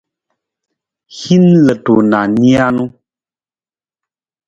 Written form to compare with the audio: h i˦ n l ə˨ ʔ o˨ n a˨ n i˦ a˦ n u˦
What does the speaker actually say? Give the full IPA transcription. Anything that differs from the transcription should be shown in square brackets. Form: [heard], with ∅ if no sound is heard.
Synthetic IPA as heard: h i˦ n l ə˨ [t] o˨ n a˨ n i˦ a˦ n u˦